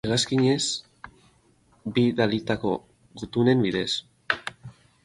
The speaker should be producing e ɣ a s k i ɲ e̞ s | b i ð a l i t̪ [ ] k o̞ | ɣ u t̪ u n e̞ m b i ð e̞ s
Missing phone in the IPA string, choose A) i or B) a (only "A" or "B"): B